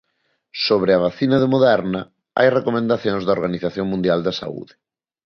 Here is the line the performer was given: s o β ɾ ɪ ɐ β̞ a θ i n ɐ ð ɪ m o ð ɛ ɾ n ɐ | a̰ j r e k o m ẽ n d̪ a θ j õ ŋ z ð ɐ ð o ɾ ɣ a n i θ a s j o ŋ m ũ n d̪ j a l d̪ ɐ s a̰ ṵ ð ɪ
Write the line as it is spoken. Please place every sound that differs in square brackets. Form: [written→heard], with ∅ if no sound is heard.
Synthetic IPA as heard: s o β ɾ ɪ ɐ β̞ a θ i n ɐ ð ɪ m o ð ɛ ɾ n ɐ | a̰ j r e k o m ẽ n d̪ a θ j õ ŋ z ð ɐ [ð→∅] o ɾ ɣ a n i θ a [s→θ] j o ŋ m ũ n d̪ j a l d̪ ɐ s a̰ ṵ ð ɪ